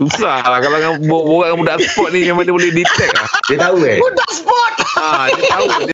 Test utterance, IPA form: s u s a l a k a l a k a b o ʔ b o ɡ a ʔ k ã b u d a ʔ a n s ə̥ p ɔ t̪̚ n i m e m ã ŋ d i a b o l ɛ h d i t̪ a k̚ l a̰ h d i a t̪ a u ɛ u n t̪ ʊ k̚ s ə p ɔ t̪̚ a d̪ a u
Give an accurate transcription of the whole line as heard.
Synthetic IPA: s u s a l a k a l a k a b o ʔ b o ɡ a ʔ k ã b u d a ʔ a n s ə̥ p ɔ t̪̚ n i m e m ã ŋ d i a b o l ɛ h d i t̪ ɛ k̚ l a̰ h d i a t̪ a u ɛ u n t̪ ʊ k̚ s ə p ɔ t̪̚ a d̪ a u